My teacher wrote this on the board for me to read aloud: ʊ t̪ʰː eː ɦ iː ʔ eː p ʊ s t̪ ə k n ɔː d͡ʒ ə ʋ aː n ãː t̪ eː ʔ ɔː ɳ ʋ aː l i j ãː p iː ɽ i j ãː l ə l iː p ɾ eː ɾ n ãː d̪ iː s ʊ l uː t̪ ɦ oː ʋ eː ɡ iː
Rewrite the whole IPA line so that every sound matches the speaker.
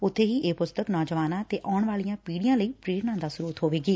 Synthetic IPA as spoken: ʊ t̪ʰː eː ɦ iː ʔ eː p ʊ s t̪ ə k n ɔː d͡ʒ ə ʋ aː n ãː t̪ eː ʔ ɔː ɳ ʋ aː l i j ãː p iː ɽ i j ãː l ə iː p ɾ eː ɾ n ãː d̪ aː s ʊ ɾ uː t̪ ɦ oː ʋ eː ɡ iː